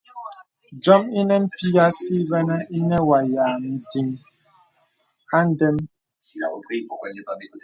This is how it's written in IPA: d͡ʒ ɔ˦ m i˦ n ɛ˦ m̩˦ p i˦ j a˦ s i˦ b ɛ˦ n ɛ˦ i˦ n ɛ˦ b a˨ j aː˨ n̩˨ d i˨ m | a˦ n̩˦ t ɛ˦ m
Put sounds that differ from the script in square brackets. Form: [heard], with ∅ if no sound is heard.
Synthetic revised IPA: d͡ʒ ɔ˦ m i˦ n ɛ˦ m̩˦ p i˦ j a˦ s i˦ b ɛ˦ n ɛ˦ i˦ n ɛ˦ [w] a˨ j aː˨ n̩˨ d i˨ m | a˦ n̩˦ [d] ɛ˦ m